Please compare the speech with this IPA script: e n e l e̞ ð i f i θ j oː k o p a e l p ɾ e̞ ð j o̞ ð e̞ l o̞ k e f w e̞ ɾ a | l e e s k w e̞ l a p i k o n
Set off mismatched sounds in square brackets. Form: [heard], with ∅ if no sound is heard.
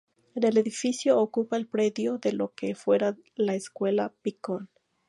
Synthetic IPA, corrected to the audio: e n e l e̞ ð i f i [s] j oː k [u] p a e l p ɾ e̞ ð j o̞ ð e̞ l o̞ k e f w e̞ ɾ a | l [a] e s k w e̞ l a p i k o n